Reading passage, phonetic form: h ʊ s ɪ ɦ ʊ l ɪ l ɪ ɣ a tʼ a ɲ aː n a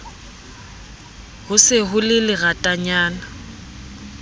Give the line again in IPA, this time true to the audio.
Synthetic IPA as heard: h ʊ s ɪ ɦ ʊ l ɪ l ɪ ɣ a tʼ a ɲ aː n a